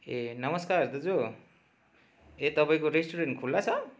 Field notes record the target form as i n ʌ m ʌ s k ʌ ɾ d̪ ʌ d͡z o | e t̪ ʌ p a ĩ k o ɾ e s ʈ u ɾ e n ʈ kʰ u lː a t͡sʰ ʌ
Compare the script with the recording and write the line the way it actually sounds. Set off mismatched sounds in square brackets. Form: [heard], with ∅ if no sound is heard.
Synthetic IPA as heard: [e] n ʌ m ʌ s k [a] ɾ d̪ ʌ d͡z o | e t̪ ʌ p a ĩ k o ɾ e s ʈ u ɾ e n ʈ kʰ u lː a t͡sʰ ʌ